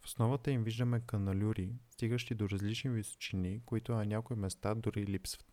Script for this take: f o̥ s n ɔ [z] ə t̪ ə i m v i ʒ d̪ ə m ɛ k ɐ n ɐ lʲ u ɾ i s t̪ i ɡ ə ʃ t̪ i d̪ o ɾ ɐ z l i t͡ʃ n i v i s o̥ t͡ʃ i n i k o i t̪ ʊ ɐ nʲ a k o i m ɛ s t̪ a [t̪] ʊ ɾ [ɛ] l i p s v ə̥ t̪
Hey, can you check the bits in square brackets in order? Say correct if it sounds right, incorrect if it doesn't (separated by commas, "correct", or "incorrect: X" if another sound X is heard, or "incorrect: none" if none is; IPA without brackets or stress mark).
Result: incorrect: v, incorrect: d̪, incorrect: i